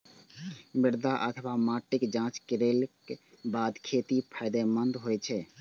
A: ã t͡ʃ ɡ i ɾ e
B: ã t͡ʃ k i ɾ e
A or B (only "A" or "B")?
B